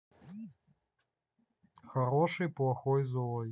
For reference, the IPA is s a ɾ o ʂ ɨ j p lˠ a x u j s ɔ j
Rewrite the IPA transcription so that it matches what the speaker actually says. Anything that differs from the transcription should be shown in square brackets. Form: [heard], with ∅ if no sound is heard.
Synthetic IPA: [x] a ɾ [ɔ] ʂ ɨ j p lˠ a x [ɔ] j [z] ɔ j